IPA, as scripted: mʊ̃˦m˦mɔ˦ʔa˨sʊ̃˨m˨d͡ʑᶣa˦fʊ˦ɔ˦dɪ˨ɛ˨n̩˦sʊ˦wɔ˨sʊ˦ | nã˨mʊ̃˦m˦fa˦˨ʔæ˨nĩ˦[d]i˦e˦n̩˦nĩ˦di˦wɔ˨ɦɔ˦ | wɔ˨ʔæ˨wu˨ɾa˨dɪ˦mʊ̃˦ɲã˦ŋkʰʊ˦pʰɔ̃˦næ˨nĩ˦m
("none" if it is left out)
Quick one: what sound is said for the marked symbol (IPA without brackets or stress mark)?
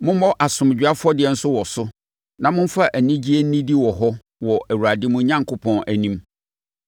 d͡ʑ